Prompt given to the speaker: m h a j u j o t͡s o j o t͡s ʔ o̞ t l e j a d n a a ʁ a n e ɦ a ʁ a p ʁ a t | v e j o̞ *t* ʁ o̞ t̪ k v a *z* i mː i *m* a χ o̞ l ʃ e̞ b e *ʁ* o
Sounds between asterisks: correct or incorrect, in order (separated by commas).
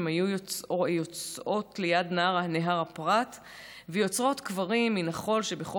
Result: incorrect, incorrect, incorrect, incorrect